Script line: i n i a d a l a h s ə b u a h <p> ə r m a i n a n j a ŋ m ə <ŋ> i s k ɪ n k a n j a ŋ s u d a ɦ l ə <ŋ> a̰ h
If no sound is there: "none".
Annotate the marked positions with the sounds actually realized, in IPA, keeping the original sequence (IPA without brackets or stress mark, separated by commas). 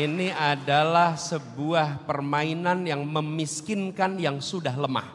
p, m, m